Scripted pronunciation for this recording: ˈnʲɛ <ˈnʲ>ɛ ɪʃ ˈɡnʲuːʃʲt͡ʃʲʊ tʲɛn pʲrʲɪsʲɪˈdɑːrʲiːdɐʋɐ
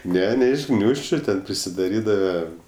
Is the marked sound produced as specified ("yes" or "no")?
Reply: yes